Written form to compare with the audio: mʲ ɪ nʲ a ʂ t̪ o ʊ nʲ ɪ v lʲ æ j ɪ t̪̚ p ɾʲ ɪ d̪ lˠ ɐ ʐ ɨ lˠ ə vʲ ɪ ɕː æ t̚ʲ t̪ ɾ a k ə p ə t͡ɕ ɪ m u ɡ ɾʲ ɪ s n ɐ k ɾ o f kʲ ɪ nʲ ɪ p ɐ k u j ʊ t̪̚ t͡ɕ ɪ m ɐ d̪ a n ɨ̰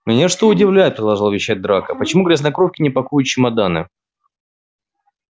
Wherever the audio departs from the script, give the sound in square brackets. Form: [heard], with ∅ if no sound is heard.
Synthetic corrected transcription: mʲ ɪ nʲ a ʂ t̪ o ʊ [dʲ] ɪ v lʲ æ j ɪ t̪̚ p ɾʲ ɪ d̪ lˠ ɐ ʐ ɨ lˠ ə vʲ ɪ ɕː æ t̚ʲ [d̪] ɾ a k ə p ə t͡ɕ ɪ m u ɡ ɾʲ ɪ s n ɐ k ɾ o f kʲ ɪ nʲ ɪ p ɐ k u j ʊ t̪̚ t͡ɕ ɪ m ɐ d̪ a n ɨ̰